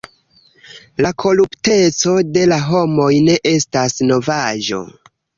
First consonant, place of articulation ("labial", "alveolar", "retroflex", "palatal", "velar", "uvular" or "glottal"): alveolar